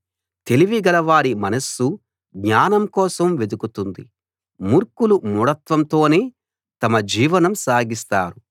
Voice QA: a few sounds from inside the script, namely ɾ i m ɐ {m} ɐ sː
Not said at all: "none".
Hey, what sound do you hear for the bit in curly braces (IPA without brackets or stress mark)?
n